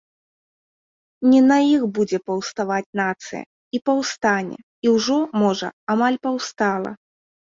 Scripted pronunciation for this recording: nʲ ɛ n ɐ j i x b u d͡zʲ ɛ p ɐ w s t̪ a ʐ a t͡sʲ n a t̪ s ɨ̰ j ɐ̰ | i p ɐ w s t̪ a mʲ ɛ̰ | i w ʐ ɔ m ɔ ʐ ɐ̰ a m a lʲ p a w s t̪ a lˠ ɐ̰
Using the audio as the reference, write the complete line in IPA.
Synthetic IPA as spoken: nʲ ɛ n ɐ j i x b u d͡zʲ ɛ p ɐ w s t̪ a v a t͡sʲ n a t̪ s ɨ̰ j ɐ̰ | i p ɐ w s t̪ a nʲ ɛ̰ | i w ʐ ɔ m ɔ ʐ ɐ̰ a m a lʲ p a w s t̪ a lˠ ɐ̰